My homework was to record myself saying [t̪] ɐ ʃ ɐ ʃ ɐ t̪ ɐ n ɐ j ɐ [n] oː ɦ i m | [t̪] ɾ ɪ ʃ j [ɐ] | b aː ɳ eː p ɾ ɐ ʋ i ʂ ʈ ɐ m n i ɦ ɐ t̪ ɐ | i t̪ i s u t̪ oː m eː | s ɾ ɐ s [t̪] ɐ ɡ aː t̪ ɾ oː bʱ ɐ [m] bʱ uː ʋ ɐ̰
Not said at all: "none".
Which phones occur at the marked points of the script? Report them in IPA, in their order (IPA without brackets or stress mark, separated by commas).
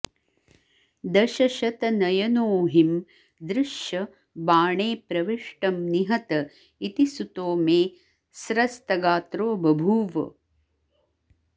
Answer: d̪, n, d̪, ɐ, t̪, none